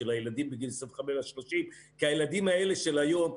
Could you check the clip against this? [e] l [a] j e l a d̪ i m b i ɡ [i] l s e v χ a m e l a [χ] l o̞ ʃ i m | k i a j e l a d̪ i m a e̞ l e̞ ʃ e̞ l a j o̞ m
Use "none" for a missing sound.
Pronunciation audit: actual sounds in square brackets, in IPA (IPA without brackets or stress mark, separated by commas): e, a, i, ʃ